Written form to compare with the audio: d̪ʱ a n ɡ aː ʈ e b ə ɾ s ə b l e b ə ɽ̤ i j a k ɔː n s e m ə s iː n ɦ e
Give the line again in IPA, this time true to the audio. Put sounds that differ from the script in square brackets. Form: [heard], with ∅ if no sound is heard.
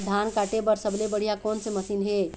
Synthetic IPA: d̪ʱ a n [k] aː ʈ e b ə ɾ s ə b l e b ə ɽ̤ i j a k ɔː n s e m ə s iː n ɦ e